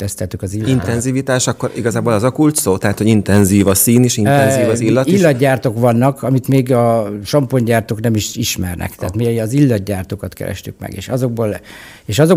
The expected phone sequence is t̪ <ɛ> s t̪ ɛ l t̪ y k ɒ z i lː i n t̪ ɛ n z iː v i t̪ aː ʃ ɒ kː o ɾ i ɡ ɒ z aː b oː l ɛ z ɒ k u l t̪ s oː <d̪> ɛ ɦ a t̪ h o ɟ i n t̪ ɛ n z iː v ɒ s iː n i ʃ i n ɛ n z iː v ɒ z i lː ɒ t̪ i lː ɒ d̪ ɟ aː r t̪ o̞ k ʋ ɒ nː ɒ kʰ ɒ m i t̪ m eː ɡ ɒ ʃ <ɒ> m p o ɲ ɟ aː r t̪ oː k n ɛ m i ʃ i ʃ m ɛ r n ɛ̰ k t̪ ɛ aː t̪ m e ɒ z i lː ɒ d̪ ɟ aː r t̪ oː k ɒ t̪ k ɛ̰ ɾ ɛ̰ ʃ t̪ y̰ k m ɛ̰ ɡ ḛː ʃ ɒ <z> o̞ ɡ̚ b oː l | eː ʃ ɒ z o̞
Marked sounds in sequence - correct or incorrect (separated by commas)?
correct, incorrect, correct, correct